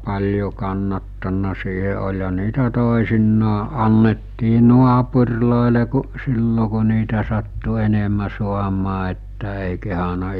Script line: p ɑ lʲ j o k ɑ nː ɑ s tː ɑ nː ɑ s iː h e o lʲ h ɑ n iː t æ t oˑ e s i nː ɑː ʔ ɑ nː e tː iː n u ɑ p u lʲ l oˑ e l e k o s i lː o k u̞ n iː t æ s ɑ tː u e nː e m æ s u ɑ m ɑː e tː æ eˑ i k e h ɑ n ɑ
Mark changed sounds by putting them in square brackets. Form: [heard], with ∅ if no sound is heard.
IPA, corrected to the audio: p ɑ lʲ j o k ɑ nː ɑ [∅] tː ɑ nː ɑ s iː h e o lʲ h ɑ n iː t æ t oˑ e s i nː ɑː ʔ ɑ nː e tː iː n u ɑ p u [rʲ] l oˑ e l e k [u] s i lː o k u̞ n iː t æ s ɑ tː u e [n] e m æ s u ɑ m ɑː e tː æ eˑ i k e h ɑ n ɑ